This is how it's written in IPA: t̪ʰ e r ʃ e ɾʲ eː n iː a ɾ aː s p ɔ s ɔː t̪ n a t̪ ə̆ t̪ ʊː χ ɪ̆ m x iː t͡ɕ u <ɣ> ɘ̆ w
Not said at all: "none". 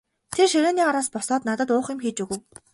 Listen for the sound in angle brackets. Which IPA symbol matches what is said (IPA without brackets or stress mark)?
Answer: ɣ